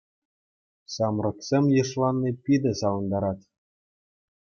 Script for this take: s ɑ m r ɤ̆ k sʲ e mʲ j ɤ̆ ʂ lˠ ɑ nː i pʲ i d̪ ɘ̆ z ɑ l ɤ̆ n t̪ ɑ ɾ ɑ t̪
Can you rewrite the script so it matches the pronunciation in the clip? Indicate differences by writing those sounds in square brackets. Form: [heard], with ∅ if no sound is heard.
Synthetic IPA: s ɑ m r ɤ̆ k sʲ e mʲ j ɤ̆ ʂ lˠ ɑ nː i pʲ i d̪ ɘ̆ [s] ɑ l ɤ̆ n [d̪] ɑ ɾ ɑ t̪